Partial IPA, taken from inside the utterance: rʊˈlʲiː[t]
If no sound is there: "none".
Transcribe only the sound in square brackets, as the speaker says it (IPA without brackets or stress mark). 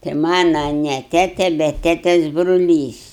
s